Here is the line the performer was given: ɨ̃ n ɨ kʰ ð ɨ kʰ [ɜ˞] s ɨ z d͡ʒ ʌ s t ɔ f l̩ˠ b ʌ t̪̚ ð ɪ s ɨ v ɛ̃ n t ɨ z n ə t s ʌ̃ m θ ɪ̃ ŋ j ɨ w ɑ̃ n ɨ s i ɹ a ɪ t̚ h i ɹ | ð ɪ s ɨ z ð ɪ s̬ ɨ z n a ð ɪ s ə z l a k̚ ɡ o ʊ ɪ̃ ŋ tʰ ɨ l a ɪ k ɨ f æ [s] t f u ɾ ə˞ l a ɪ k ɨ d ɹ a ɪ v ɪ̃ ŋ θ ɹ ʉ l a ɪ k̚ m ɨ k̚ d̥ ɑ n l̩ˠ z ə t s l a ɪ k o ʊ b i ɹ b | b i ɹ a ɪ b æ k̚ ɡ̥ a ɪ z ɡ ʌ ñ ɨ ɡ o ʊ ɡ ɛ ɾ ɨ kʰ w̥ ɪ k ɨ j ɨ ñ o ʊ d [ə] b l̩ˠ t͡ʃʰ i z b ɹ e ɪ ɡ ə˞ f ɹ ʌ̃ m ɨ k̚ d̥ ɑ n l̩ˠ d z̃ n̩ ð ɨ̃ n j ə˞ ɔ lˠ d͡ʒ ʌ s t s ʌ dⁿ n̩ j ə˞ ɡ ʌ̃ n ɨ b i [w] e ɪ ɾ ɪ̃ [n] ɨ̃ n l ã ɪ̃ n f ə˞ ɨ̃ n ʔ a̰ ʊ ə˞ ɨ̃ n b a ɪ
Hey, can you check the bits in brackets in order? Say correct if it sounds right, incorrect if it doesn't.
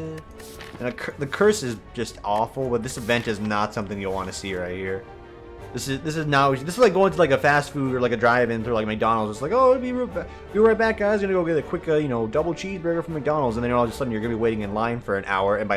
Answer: correct, correct, incorrect: ʌ, correct, incorrect: ŋ

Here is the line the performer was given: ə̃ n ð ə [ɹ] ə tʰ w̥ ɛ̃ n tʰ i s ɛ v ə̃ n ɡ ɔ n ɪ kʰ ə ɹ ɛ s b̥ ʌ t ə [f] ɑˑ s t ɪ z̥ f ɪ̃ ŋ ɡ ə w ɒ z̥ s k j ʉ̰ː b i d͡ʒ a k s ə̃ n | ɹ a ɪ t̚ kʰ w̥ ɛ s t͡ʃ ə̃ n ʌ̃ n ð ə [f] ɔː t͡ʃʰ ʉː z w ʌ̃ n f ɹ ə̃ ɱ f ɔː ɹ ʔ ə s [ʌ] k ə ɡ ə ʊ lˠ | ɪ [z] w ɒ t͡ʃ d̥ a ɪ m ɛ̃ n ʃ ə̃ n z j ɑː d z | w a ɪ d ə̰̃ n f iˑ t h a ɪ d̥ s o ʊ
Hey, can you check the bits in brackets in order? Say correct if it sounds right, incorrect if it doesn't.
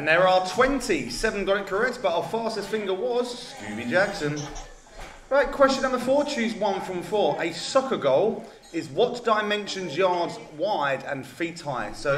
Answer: correct, correct, correct, correct, correct

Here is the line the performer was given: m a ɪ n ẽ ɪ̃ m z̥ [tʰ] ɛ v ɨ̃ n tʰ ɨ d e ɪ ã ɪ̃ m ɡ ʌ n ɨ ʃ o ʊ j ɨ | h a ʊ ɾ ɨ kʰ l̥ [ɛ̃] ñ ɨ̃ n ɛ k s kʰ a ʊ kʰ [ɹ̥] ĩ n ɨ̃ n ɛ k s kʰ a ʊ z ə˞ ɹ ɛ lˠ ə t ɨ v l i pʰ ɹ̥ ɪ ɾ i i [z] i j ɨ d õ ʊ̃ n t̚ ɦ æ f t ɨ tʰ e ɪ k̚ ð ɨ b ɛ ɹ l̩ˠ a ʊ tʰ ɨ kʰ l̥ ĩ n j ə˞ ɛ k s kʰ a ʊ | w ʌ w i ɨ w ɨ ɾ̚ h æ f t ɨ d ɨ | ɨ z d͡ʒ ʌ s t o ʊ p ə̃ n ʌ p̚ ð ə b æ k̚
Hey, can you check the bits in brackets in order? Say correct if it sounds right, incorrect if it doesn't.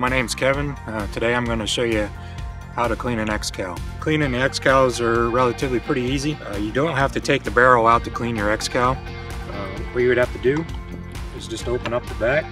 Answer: incorrect: kʰ, incorrect: ĩ, incorrect: l̥, correct

